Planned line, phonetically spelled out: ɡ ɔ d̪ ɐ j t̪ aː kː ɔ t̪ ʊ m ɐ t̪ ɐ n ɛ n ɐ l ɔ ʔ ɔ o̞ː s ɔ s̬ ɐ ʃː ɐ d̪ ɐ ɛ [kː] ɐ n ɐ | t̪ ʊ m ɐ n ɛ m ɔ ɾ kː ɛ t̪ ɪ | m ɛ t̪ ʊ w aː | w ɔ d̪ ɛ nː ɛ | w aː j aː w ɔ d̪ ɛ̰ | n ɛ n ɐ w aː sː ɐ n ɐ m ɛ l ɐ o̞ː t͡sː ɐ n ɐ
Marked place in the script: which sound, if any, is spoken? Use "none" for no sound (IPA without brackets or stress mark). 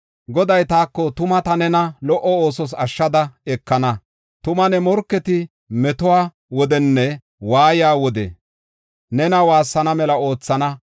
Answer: kː